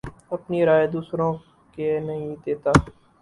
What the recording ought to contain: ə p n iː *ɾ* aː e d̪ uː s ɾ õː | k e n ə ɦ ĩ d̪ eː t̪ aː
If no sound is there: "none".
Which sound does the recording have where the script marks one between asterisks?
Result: ɾ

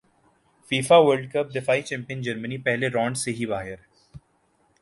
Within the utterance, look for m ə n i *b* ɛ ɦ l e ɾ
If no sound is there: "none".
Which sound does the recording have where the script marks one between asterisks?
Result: p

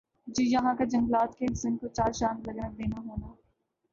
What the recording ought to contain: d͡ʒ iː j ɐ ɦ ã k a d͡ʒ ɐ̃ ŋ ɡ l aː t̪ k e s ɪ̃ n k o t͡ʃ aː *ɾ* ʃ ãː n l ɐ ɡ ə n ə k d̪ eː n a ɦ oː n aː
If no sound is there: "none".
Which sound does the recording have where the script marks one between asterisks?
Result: ɾ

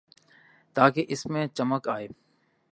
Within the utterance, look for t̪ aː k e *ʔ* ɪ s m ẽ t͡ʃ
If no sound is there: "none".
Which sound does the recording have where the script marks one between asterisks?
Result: ʔ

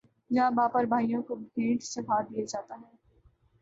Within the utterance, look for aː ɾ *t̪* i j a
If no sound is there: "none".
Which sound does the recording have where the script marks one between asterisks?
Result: d̪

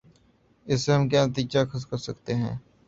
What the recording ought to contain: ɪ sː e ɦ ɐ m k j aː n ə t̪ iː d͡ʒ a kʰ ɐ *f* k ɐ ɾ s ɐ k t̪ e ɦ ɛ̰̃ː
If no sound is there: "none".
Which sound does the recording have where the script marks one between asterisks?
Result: s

